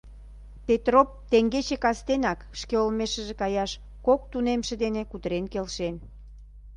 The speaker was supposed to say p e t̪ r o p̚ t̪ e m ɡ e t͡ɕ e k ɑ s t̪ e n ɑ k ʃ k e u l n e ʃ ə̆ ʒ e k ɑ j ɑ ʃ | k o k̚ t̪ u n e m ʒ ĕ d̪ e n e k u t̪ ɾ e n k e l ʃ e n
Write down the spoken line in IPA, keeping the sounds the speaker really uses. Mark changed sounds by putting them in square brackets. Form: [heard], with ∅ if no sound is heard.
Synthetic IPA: p e t̪ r o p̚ t̪ e [ŋ] ɡ e t͡ɕ e k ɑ s t̪ e n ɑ k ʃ k e [o] l [m] e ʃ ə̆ ʒ e k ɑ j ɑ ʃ | k o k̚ t̪ u n e m [ʃ] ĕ d̪ e n e k u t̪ ɾ e n k e l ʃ e n